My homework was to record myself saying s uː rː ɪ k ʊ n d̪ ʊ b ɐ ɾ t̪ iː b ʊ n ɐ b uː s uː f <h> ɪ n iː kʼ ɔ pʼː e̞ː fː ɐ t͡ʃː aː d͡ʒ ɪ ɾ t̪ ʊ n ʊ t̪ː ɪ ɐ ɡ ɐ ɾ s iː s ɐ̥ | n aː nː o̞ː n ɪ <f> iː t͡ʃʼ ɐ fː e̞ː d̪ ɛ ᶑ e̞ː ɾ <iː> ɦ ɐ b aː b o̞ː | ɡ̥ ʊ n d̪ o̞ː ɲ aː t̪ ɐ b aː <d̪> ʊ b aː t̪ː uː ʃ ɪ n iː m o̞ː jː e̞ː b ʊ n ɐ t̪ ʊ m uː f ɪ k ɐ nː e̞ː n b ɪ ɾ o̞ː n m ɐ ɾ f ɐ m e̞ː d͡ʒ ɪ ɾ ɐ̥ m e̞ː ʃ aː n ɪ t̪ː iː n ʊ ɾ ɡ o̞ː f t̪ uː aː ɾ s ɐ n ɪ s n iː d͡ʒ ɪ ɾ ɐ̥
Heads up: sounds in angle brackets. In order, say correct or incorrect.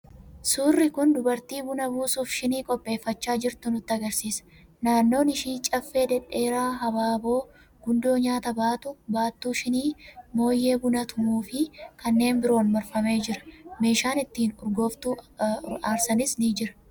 incorrect: ʃ, incorrect: ʃ, incorrect: aː, incorrect: t̪

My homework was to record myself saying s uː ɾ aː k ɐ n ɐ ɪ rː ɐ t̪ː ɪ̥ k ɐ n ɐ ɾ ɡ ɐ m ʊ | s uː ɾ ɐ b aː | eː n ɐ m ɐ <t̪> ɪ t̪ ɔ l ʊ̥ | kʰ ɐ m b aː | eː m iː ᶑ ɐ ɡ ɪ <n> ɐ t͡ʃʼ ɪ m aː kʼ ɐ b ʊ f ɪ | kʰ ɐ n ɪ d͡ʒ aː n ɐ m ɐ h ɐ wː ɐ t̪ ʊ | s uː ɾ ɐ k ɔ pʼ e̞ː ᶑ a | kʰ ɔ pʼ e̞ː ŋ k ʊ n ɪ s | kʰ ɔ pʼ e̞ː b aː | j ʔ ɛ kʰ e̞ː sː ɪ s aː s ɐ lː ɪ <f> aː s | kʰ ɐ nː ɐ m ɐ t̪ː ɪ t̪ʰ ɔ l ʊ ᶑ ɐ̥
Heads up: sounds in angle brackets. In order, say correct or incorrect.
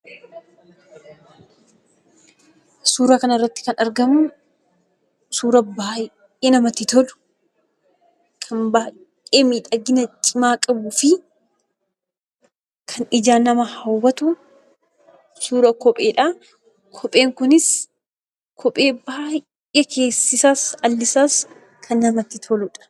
correct, correct, incorrect: s

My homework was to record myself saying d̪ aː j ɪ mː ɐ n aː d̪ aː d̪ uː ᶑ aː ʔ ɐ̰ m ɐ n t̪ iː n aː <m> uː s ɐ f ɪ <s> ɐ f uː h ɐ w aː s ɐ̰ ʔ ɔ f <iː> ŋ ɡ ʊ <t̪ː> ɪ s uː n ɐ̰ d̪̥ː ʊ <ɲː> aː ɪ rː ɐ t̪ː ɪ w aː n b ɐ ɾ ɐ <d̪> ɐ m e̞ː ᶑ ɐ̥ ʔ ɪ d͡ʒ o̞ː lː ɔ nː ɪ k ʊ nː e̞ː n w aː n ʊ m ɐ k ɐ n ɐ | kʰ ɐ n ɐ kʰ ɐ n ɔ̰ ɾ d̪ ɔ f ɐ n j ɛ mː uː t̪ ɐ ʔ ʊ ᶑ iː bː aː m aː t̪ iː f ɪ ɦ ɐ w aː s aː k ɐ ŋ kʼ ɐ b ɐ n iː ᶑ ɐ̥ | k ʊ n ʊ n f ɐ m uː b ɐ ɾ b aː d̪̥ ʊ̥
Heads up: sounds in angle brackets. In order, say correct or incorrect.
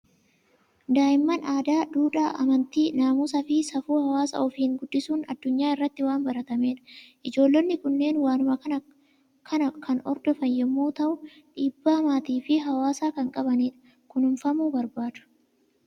correct, correct, correct, incorrect: d̪ː, correct, incorrect: t̪

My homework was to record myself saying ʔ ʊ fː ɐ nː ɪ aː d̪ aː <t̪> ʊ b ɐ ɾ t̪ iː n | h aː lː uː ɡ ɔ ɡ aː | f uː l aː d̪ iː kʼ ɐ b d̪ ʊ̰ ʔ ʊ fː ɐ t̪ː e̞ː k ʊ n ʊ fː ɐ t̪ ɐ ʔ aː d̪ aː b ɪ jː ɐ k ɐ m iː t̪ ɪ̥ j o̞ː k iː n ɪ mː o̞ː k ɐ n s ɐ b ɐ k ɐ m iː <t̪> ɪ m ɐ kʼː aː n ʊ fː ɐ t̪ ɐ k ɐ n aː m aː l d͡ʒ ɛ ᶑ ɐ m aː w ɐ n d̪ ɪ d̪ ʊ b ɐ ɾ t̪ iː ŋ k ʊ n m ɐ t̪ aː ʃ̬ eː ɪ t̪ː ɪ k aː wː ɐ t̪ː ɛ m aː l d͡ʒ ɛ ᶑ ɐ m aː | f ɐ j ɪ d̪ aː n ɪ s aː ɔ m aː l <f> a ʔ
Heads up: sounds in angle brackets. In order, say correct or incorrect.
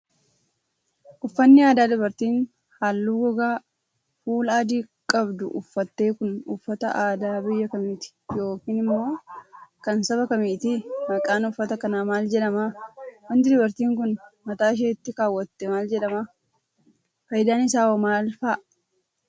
incorrect: d̪, correct, correct

